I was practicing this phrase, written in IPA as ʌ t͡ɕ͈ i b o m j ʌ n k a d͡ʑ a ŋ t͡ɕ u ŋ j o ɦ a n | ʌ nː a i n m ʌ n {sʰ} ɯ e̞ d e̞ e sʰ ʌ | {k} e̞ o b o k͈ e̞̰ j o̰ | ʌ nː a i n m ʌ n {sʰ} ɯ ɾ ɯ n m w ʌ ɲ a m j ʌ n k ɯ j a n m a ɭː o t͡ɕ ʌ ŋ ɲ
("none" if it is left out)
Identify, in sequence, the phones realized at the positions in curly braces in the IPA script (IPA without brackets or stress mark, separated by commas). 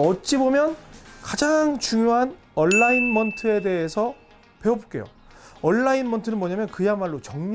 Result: tʰ, p, tʰ